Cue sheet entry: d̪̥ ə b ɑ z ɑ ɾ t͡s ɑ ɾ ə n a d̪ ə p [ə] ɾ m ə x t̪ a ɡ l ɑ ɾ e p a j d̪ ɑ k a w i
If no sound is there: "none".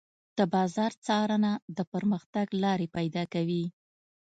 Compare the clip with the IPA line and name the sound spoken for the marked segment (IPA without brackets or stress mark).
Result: ə